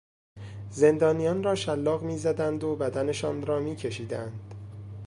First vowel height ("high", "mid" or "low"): mid